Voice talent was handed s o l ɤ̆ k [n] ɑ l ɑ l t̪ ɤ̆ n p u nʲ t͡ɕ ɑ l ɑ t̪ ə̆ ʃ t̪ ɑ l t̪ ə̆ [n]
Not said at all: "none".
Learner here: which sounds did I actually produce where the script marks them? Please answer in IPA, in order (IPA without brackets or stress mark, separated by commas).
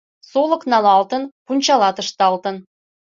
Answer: n, n